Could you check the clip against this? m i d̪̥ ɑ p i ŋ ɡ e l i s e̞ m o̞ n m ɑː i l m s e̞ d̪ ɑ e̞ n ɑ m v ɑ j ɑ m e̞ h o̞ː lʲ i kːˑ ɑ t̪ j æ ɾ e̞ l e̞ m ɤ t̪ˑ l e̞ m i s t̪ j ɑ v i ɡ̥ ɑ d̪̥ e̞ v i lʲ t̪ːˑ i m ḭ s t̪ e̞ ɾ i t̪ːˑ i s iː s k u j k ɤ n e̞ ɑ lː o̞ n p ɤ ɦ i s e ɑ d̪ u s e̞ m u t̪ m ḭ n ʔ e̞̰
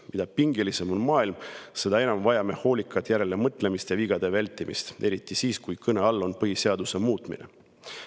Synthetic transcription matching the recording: m i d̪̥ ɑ p i ŋ ɡ e l i s e̞ m o̞ n m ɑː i l m s e̞ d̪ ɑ e̞ n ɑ m v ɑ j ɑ m e̞ h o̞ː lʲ i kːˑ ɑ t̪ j æ ɾ e̞ l e̞ m ɤ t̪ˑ l e̞ m i s t̪ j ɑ v i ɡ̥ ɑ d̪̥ e̞ v æ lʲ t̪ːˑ i m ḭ s t̪ e̞ ɾ i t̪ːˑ i s iː s k u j k ɤ n e̞ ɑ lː o̞ n p ɤ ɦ i s e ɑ d̪ u s e̞ m uː t̪ m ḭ n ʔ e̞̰